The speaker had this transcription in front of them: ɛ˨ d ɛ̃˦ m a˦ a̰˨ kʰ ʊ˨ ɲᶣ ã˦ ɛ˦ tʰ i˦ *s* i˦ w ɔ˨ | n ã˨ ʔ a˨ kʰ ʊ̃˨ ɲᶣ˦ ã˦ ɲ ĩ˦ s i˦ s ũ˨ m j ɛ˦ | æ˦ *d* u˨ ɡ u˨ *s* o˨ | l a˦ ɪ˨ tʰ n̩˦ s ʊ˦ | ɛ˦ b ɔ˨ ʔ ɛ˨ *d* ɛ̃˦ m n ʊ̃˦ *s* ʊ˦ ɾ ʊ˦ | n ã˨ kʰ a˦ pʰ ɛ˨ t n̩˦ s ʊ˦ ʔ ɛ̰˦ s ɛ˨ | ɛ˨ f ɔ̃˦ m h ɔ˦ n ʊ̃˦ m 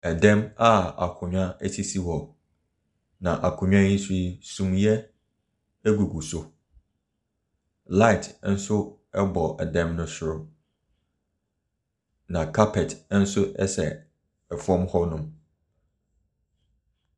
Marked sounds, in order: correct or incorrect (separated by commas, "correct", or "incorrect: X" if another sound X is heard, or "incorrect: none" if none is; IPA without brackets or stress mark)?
correct, incorrect: ɡ, correct, correct, correct